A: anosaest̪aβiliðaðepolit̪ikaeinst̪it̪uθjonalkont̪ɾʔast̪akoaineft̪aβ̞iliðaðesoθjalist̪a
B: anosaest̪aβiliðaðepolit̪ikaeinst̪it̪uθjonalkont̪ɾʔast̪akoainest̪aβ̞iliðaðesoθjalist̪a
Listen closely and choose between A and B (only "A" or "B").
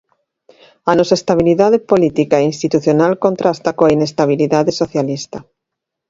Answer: B